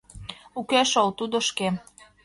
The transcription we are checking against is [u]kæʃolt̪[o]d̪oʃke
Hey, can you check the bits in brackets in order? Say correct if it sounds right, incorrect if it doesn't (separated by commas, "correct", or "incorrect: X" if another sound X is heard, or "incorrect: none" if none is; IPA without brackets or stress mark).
correct, incorrect: u